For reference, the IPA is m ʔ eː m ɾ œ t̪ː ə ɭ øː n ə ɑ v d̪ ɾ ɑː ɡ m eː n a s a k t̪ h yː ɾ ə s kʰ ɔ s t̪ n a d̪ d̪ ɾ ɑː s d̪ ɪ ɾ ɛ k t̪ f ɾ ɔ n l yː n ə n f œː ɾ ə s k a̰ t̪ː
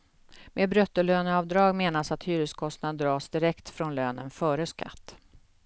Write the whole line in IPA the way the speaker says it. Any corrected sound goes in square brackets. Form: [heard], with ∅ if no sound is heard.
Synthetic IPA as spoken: m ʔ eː [b] ɾ œ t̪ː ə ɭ øː n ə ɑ v d̪ ɾ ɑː ɡ m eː n a s a [∅] t̪ h yː ɾ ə s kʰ ɔ s t̪ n a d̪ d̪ ɾ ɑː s d̪ ɪ ɾ ɛ k t̪ f ɾ ɔ n l [øː] n ə n f œː ɾ ə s k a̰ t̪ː